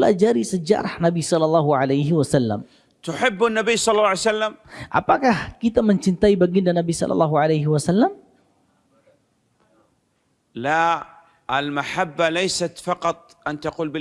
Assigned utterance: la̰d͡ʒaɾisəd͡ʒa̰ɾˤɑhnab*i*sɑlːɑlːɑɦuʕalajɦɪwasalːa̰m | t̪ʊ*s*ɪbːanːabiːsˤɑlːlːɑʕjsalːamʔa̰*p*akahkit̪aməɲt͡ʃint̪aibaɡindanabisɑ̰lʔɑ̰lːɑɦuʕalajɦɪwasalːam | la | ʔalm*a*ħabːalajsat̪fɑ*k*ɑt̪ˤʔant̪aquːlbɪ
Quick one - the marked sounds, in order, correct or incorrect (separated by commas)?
correct, incorrect, correct, correct, incorrect